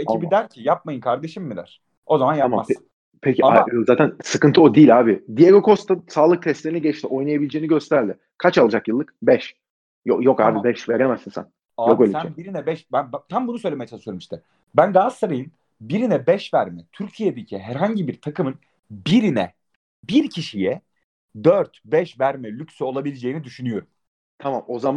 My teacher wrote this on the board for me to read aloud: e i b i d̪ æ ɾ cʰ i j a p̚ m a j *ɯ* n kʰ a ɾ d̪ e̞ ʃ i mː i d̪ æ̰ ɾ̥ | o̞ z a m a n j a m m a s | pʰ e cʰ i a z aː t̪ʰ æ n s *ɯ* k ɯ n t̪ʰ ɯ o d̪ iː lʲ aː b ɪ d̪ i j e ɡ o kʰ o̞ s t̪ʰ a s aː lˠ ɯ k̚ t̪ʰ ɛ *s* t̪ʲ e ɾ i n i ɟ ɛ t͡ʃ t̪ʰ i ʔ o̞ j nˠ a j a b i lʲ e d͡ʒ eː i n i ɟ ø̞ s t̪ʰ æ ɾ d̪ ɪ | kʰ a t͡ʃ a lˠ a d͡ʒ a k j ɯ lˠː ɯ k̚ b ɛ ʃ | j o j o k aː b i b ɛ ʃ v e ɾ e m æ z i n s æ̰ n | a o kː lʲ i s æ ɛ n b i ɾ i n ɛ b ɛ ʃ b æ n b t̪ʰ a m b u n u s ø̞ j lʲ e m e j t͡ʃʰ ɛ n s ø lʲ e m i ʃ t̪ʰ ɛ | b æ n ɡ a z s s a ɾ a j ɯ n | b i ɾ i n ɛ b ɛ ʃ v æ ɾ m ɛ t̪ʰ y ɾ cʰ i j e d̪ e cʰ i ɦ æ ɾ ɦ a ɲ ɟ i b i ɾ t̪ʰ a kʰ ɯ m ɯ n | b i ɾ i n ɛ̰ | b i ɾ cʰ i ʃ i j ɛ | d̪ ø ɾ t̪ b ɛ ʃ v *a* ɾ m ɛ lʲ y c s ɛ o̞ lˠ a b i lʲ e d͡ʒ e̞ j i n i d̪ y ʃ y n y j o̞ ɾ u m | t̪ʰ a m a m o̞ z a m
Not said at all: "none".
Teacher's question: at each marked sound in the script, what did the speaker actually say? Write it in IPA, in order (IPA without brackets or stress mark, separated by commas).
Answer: ɯ, ɯ, s, æ